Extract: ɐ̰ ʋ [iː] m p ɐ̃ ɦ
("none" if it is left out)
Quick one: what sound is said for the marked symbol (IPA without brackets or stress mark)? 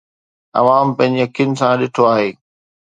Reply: aː